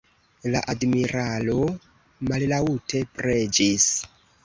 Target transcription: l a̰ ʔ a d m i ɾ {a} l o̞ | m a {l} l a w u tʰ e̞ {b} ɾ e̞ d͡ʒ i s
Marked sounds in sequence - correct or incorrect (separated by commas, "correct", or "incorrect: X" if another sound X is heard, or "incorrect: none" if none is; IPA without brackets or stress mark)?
correct, correct, incorrect: p